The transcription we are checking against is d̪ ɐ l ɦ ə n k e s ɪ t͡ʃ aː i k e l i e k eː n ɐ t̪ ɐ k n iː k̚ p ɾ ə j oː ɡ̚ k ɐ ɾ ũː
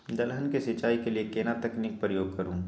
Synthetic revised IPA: d̪ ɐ l ɦ ə n k e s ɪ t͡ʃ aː i k e l i e k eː n a t̪ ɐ k n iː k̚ p ɾ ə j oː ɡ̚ k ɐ ɾ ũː